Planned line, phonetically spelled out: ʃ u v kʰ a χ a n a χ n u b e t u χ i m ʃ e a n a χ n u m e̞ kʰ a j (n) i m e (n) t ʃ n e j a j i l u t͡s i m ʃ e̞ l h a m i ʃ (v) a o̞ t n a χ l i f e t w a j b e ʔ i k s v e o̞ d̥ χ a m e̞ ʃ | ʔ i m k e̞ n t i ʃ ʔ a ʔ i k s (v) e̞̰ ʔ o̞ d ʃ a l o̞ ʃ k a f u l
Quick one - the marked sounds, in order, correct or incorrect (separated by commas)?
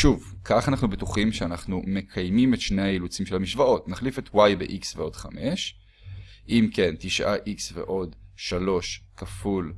incorrect, incorrect, correct, correct